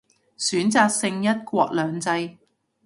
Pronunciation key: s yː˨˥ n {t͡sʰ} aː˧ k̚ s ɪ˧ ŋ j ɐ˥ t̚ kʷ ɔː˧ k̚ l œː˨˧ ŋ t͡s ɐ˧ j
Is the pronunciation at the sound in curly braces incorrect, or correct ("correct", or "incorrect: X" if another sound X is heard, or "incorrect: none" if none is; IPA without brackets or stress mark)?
incorrect: t͡s